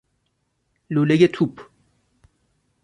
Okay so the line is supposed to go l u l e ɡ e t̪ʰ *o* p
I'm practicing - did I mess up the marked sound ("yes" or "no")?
yes